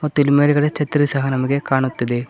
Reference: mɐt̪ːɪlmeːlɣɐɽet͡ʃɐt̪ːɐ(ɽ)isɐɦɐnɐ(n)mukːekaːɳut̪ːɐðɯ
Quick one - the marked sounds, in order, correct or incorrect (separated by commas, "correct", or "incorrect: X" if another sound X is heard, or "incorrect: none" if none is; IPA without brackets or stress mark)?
incorrect: ɾ, incorrect: none